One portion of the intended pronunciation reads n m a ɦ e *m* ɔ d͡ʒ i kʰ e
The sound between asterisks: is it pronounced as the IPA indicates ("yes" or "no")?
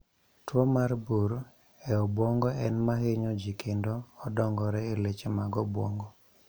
no